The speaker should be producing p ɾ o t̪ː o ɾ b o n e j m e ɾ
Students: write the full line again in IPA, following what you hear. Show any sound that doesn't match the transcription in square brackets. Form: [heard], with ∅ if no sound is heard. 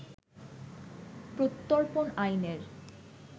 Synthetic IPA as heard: p ɾ o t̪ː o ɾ [p] o n [a] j [n] e ɾ